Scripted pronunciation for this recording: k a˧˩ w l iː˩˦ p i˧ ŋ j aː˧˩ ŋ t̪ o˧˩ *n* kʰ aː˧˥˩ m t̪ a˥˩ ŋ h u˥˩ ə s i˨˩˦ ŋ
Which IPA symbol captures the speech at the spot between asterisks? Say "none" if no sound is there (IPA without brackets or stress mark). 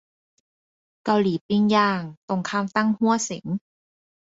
ŋ